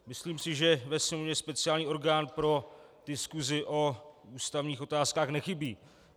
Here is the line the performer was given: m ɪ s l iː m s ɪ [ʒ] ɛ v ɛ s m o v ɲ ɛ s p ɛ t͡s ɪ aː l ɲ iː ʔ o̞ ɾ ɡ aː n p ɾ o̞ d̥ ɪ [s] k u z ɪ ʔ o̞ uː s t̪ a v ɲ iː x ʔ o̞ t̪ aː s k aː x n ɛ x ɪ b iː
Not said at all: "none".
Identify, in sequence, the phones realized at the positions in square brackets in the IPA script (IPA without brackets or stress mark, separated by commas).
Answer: ʒ, s